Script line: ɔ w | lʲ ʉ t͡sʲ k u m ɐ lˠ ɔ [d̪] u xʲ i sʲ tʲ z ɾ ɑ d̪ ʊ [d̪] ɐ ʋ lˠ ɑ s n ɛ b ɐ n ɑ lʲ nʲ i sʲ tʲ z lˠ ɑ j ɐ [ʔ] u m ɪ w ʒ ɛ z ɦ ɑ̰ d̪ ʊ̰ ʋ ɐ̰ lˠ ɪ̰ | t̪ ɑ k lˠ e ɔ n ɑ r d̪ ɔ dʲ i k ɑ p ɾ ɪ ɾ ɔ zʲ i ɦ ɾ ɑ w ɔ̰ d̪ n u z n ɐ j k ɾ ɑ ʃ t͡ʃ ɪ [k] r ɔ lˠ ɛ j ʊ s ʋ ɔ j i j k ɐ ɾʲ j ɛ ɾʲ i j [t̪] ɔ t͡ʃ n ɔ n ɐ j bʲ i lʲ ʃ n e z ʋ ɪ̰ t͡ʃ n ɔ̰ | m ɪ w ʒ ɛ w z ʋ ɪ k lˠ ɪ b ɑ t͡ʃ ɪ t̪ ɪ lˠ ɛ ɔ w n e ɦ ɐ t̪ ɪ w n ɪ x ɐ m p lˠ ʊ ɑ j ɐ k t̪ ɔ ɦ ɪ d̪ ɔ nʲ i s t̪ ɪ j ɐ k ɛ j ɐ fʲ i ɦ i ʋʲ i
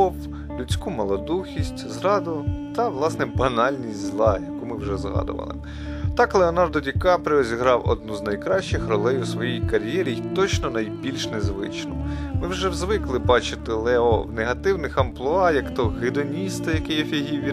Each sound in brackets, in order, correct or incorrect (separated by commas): correct, incorrect, incorrect, incorrect, correct